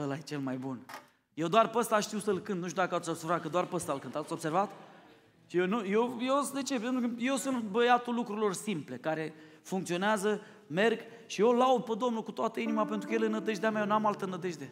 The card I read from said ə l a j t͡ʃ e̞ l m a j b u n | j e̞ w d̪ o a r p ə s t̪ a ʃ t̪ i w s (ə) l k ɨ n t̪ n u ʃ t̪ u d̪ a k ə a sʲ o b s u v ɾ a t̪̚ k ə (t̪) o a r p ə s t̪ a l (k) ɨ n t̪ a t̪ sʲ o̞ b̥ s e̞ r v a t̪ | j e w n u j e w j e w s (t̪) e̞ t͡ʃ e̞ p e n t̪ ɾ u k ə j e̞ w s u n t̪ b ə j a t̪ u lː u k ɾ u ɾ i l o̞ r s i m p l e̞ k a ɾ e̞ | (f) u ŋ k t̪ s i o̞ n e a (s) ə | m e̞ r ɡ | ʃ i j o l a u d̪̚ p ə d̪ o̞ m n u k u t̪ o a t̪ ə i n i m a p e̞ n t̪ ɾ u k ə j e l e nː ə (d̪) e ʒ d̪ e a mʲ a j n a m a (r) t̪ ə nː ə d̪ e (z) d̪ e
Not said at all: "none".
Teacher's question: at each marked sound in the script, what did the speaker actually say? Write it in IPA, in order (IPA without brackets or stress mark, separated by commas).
ə, d̪, k, d̪, f, z, d̪, l, ʒ